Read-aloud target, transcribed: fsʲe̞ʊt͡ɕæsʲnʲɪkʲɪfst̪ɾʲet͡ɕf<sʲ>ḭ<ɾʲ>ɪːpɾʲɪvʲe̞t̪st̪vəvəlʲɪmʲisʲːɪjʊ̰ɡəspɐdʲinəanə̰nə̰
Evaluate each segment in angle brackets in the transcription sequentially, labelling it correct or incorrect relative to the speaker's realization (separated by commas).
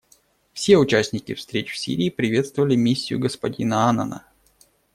correct, correct